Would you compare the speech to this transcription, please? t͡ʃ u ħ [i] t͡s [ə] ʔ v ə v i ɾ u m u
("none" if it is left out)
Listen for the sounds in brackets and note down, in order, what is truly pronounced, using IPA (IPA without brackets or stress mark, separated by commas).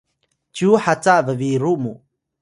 a, a